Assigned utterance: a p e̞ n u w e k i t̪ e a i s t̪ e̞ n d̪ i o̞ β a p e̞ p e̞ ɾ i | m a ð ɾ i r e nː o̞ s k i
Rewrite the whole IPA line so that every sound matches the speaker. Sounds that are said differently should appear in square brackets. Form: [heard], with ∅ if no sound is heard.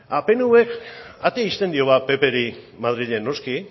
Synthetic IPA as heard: a p e̞ n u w e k [a] t̪ e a i s t̪ e̞ n d̪ i o̞ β a p e̞ p e̞ ɾ i | m a ð ɾ i [ʎ] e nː o̞ s k i